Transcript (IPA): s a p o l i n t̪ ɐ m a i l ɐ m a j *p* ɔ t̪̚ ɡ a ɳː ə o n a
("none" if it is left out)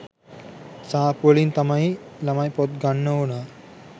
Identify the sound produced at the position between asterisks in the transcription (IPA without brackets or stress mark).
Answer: p